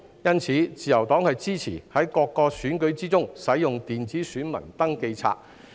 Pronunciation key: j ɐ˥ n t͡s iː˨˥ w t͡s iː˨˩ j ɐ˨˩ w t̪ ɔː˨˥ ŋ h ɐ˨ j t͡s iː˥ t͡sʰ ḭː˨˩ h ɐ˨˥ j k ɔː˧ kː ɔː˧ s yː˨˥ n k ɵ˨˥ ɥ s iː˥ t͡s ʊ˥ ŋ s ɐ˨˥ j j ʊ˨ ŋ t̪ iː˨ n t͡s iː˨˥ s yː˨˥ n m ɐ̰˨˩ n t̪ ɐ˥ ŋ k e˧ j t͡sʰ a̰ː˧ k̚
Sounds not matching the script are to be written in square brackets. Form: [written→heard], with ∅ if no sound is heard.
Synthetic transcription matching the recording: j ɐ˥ n [t͡s→t͡sʰ] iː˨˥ [w→∅] t͡s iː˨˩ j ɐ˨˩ w t̪ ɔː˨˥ ŋ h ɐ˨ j t͡s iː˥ t͡sʰ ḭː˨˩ h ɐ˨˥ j k ɔː˧ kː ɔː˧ s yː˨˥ n k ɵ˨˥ ɥ [s→t͡s] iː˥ t͡s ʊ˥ ŋ s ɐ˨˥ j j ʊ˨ ŋ t̪ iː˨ n t͡s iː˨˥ s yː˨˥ n m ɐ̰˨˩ n t̪ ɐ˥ ŋ k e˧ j t͡sʰ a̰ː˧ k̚